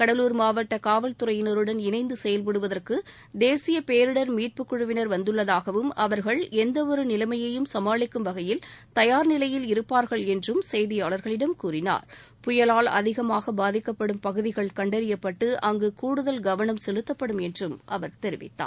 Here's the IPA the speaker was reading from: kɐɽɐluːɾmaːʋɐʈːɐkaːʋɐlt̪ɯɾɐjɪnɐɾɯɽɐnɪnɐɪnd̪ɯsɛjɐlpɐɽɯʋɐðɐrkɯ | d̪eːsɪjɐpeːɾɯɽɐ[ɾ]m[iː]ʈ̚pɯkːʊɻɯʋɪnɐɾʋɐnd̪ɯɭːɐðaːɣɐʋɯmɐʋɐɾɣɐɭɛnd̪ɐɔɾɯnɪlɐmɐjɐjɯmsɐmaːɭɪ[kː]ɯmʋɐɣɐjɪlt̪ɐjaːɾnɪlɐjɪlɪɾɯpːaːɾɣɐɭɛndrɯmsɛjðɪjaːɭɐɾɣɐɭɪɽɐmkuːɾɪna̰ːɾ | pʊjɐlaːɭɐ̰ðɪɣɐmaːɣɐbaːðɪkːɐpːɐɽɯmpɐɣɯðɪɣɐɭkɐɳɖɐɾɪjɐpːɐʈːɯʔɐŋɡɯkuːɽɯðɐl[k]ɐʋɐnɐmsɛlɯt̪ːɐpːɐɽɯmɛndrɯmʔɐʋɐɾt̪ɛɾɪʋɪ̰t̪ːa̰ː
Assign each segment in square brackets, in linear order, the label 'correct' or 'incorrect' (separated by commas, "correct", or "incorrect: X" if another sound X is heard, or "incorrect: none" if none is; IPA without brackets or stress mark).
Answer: correct, correct, correct, incorrect: ɡ